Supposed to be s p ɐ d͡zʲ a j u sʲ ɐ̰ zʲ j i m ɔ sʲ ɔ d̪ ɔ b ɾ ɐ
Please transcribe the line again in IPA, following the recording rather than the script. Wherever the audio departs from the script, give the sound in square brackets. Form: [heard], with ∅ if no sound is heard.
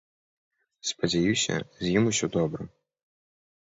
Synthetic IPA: s p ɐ d͡zʲ a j u sʲ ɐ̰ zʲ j i m [u] sʲ ɔ d̪ ɔ b ɾ ɐ